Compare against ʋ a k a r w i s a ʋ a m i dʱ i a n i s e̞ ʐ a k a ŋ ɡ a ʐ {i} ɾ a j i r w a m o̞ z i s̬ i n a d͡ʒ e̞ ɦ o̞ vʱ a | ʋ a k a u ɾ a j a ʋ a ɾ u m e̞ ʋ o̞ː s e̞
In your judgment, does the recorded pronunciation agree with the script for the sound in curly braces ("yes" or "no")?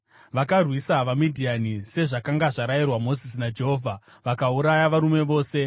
no